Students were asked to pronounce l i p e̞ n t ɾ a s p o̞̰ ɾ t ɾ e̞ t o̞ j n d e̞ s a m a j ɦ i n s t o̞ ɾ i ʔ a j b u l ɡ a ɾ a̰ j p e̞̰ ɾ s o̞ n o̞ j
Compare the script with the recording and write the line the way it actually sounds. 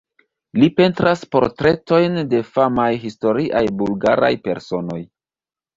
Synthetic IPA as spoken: l i p e̞ n t ɾ a s p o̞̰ ɾ t ɾ e̞ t o̞ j n d e̞ f a m a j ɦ i s t o̞ ɾ i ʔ a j b u l ɡ a ɾ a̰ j p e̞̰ ɾ s o̞ n o̞ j